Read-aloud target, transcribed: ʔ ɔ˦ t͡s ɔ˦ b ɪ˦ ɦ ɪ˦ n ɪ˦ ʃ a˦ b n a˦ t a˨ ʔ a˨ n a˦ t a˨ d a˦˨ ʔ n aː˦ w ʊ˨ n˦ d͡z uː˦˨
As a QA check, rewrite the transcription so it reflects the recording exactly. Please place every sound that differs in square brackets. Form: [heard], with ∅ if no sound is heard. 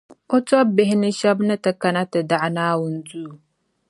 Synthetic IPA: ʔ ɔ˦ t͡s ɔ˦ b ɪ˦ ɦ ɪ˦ n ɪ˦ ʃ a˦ b n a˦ t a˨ [k] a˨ n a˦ t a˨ d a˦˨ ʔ n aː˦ w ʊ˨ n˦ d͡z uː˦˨